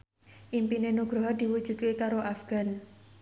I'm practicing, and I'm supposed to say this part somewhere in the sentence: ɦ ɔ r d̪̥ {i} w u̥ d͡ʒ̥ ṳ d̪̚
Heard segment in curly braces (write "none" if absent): i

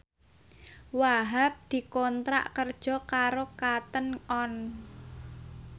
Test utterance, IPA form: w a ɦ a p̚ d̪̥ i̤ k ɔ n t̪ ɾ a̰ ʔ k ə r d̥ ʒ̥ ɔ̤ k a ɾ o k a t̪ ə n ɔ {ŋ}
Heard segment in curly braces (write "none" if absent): n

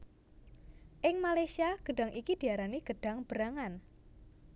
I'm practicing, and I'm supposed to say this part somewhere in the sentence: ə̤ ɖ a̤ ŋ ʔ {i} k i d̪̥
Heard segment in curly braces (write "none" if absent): i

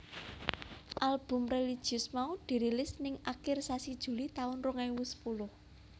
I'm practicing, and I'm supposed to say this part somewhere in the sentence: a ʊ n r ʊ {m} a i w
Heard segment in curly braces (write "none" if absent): ŋ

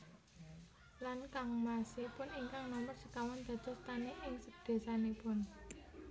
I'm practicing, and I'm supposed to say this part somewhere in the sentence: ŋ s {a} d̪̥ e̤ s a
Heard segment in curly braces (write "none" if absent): ə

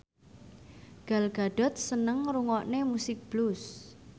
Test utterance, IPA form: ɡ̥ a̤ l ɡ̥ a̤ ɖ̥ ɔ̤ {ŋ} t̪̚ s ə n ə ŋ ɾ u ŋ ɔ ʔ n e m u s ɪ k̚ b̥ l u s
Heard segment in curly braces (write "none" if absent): none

